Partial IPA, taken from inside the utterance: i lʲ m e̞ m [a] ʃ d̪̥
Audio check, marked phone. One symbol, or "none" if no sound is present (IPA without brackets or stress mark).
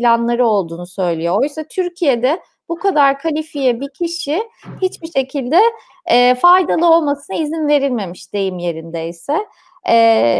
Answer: i